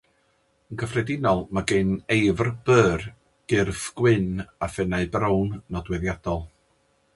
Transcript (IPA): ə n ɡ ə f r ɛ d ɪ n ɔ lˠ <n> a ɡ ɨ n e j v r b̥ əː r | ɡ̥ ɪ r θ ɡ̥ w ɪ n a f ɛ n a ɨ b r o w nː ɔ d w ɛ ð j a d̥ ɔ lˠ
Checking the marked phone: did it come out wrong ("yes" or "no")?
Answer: yes